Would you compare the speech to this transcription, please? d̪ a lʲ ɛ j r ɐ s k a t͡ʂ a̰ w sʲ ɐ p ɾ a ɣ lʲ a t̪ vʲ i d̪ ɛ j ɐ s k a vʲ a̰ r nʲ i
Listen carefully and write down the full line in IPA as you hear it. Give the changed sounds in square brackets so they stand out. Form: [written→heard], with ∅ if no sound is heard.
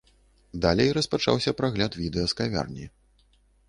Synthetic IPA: d̪ a lʲ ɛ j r ɐ s [k→p] a t͡ʂ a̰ w sʲ ɐ p ɾ a ɣ lʲ a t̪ vʲ i d̪ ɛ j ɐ s k a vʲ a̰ r nʲ i